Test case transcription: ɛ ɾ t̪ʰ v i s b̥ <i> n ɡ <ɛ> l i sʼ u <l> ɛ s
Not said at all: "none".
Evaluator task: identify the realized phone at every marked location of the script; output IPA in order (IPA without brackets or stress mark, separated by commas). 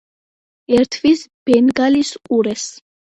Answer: ɛ, a, ɾ